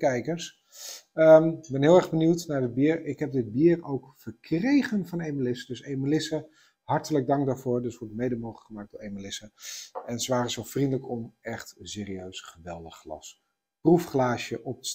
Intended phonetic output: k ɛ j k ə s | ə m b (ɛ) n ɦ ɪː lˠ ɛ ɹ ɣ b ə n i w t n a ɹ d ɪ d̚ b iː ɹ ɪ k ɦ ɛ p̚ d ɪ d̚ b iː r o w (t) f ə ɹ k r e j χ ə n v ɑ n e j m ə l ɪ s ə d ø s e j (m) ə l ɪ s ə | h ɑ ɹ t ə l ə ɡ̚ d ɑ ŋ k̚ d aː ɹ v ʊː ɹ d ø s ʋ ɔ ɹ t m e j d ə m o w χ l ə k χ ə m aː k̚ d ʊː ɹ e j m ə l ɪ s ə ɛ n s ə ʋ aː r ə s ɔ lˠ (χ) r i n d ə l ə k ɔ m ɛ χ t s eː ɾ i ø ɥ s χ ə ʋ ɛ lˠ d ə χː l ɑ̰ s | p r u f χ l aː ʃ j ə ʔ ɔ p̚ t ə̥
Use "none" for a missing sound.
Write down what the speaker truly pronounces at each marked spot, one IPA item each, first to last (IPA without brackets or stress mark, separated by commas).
ɛ, k, m, f